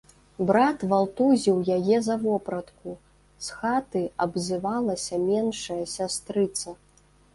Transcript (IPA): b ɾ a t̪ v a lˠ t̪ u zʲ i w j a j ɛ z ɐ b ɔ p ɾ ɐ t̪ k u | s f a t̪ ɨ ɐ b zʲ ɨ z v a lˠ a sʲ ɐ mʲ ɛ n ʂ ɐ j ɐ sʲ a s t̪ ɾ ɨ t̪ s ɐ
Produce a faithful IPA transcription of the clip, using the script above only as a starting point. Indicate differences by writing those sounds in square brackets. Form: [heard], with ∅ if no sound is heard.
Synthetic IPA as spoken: b ɾ a t̪ v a lˠ t̪ u zʲ i w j a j ɛ z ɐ [v] ɔ p ɾ ɐ t̪ k u | s [x] a t̪ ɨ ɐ b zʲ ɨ [∅] v a lˠ [ɐ] sʲ ɐ mʲ ɛ n ʂ ɐ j ɐ sʲ a s t̪ ɾ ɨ t̪ s ɐ